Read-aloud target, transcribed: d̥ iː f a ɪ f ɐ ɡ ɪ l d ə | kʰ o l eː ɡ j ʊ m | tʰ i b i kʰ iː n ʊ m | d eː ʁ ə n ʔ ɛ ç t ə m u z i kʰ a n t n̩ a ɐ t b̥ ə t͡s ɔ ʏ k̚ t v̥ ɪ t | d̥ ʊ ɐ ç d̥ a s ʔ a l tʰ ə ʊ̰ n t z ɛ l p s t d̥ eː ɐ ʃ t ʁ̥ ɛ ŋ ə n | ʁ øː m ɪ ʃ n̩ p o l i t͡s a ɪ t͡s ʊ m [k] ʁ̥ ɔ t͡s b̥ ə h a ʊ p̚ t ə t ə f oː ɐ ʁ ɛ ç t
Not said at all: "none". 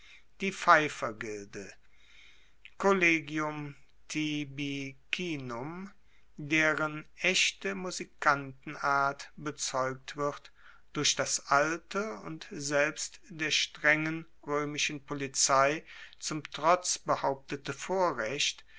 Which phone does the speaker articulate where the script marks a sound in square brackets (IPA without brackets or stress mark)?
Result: t